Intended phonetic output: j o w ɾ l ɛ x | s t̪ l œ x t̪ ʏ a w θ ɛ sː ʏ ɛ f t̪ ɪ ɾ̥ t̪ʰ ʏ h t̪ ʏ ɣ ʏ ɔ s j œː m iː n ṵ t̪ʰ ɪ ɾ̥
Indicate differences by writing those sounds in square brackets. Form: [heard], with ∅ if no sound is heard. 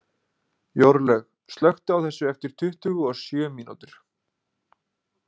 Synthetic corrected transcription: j o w ɾ l ɛ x | s t̪ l œ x t̪ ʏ a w θ ɛ sː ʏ ɛ f t̪ ɪ ɾ̥ t̪ʰ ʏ h t̪ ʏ ɣ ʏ ɔ s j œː m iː n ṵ [t̪] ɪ ɾ̥